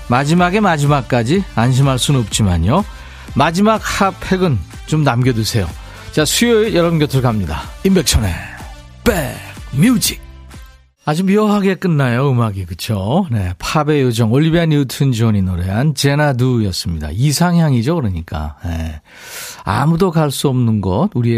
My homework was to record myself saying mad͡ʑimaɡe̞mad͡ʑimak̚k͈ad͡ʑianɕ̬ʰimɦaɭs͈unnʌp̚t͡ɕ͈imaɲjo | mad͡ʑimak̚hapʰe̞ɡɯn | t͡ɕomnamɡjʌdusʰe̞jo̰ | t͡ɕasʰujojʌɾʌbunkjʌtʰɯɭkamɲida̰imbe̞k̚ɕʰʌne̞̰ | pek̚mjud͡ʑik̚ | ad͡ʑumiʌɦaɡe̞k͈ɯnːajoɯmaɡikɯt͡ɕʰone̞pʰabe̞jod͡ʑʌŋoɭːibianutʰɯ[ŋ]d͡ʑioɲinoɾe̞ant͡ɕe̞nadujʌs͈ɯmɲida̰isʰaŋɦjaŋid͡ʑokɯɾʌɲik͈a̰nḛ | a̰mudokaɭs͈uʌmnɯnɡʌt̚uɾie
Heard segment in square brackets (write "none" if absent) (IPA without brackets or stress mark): n